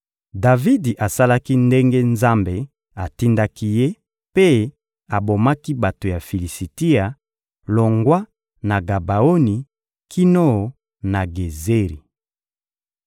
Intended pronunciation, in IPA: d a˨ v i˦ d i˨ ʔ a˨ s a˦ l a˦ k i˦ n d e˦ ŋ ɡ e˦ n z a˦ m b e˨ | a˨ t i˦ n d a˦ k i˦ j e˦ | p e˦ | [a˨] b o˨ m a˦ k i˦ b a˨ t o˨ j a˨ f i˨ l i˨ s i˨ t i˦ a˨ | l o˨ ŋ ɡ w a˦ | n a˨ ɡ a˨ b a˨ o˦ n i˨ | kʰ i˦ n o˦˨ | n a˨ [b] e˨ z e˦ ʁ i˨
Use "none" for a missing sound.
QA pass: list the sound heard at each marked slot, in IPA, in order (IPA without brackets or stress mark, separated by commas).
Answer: a˨, ɡ